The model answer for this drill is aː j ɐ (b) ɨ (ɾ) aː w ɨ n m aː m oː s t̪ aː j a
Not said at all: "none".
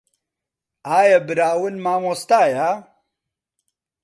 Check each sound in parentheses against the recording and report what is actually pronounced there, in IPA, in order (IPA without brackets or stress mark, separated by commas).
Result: b, ɾ